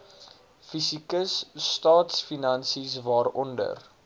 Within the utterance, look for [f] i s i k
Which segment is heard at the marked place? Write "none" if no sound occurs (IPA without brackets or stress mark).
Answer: f